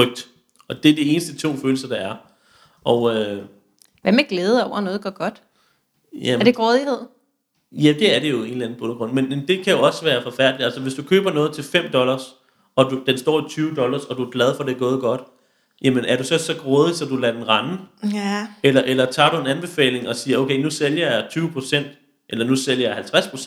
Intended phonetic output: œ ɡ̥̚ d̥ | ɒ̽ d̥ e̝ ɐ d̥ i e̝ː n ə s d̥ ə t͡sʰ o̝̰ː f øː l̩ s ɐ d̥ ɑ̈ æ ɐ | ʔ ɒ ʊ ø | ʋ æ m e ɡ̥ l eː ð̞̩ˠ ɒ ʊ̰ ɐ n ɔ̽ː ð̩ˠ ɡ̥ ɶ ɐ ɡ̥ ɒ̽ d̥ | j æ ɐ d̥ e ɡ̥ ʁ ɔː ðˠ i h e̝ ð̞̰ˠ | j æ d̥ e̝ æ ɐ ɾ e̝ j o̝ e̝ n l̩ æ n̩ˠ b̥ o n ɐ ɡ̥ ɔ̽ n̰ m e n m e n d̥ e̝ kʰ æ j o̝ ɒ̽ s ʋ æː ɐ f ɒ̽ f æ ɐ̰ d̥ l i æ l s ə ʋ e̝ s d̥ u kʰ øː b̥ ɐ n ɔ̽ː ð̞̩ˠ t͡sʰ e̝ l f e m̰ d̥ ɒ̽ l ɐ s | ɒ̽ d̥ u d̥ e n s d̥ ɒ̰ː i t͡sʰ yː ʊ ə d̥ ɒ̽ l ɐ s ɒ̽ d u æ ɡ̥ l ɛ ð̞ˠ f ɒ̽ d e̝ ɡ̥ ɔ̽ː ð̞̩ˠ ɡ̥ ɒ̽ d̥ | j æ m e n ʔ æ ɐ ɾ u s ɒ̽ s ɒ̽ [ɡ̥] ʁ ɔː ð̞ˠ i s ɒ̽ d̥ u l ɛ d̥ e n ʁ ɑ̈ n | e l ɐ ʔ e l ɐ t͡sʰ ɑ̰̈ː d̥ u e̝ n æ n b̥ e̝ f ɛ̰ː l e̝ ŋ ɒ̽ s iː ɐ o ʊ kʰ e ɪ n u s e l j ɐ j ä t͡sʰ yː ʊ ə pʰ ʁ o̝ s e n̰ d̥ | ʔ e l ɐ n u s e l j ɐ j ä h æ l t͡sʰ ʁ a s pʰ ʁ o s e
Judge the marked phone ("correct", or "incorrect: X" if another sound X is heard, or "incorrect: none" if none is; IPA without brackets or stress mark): correct